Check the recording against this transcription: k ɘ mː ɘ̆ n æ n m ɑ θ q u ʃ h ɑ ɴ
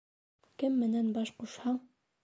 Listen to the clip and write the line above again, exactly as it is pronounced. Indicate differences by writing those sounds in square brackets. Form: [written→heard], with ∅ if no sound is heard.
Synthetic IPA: k ɘ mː ɘ̆ n æ n [m→b] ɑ [θ→ʃ] q u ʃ h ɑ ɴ